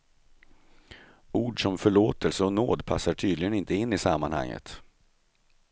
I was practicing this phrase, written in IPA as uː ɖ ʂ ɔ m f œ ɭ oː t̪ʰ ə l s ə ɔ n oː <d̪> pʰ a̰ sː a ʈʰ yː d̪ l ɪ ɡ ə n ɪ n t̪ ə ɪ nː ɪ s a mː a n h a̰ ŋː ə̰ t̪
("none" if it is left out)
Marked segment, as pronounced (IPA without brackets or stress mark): d̪